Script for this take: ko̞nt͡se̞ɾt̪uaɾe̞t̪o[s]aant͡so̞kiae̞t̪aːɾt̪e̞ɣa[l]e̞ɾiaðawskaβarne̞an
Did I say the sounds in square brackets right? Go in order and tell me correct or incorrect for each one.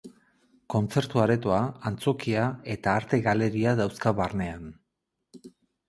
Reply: incorrect: none, correct

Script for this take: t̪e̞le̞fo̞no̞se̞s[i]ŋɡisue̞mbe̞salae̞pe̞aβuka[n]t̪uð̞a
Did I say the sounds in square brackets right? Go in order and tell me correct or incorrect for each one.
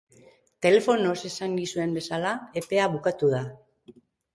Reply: incorrect: a, incorrect: none

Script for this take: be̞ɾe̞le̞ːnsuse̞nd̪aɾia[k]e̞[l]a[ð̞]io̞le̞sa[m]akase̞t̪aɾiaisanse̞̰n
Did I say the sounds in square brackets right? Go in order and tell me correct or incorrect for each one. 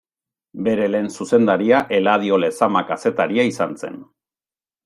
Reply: incorrect: ʔ, correct, correct, correct

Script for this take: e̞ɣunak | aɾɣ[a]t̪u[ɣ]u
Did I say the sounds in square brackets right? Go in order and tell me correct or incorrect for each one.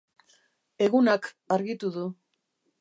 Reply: incorrect: i, incorrect: ð

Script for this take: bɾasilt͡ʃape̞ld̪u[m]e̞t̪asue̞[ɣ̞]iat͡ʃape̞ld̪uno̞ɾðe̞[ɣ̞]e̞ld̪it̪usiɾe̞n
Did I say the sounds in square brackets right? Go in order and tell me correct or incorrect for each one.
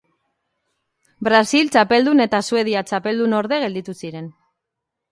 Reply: incorrect: n, incorrect: ð̞, correct

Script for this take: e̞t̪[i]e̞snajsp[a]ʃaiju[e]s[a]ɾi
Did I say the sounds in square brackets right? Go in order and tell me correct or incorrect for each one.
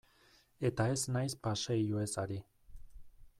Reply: incorrect: a, correct, correct, correct

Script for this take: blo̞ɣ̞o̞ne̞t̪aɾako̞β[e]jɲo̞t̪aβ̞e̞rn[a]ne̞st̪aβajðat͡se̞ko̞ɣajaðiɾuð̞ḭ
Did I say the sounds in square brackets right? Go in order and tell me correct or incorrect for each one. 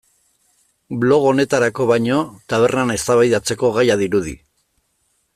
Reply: incorrect: a, correct

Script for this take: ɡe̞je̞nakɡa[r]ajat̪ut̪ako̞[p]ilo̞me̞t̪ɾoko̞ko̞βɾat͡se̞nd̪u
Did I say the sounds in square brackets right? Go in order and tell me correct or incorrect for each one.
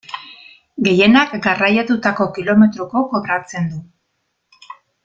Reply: correct, incorrect: k

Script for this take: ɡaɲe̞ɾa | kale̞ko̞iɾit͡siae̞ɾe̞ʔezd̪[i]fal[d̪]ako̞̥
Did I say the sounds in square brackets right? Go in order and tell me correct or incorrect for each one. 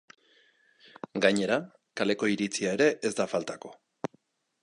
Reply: incorrect: a, incorrect: t̪

